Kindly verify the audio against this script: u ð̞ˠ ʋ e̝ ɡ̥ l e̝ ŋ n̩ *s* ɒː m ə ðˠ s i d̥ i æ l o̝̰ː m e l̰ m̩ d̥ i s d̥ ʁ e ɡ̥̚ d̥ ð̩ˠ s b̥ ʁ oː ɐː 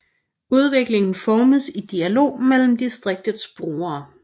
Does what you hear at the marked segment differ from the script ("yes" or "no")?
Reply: yes